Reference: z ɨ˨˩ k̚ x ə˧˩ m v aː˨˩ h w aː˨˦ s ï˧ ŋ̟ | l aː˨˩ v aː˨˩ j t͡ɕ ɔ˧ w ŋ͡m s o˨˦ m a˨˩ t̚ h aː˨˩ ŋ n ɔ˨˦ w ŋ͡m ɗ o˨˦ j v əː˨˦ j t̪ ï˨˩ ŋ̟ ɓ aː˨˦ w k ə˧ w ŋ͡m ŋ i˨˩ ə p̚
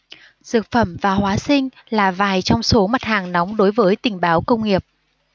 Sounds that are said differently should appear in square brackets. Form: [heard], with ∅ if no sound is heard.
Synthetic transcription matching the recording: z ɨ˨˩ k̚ [f] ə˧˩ m v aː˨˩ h w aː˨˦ s ï˧ ŋ̟ | l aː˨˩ v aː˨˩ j t͡ɕ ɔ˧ w ŋ͡m s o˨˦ m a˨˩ t̚ h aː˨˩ ŋ n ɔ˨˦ w ŋ͡m ɗ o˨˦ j v əː˨˦ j t̪ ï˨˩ ŋ̟ ɓ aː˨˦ w k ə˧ w ŋ͡m ŋ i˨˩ ə p̚

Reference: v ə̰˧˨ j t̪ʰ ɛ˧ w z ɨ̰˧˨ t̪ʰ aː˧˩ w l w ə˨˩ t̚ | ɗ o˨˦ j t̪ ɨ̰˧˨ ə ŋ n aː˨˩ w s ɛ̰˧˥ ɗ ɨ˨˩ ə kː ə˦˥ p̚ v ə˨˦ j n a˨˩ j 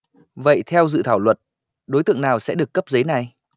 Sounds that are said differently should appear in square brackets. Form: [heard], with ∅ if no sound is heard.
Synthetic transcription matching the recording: v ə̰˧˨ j t̪ʰ ɛ˧ w z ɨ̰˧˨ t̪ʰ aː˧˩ w l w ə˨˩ t̚ | ɗ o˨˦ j t̪ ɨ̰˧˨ ə ŋ n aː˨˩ w s ɛ̰˧˥ ɗ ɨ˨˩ ə kː ə˦˥ p̚ [z] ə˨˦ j n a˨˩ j

